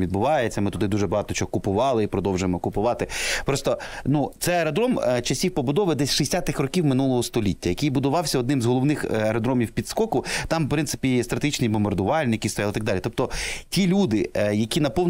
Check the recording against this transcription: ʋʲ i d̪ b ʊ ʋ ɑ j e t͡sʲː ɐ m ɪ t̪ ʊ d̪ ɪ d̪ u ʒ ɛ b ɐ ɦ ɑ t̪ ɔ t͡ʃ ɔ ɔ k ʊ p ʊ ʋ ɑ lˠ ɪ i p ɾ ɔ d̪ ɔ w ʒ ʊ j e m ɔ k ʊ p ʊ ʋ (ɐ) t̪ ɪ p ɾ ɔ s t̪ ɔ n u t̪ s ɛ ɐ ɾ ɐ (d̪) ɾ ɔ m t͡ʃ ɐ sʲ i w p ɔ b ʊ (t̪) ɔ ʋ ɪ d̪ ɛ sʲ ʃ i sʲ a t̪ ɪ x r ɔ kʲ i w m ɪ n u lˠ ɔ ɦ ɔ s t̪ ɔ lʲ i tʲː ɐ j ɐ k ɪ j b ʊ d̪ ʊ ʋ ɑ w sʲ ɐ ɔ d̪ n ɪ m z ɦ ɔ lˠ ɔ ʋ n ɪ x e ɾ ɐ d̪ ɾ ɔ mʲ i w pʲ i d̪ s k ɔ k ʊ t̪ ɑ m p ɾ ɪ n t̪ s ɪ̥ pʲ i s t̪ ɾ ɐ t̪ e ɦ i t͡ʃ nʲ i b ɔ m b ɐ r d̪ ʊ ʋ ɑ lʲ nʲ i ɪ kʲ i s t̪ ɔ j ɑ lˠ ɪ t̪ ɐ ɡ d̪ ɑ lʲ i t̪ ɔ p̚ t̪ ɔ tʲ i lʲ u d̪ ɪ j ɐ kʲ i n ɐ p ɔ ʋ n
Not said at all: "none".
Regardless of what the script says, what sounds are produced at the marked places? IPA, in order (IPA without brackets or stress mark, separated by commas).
ɑ, d̪, d̪